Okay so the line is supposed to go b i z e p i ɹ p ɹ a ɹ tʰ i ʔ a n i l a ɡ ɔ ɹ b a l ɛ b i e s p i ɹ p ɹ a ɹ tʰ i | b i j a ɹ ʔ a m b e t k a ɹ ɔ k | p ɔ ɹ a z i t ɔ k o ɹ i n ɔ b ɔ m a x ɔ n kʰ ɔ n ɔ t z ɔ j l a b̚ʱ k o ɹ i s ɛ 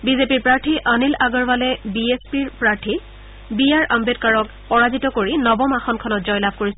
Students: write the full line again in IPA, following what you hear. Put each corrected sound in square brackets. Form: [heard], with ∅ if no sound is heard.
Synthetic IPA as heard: b i z e p i ɹ p ɹ a ɹ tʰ i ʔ a n i l a ɡ ɔ ɹ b a l ɛ b i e s p i ɹ p ɹ a ɹ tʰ i | b i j a ɹ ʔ a m b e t k a ɹ ɔ k | p ɔ ɹ a z i t ɔ k o ɹ i n ɔ b ɔ m a x ɔ n kʰ ɔ n ɔ t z ɔ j l a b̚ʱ k o ɹ i s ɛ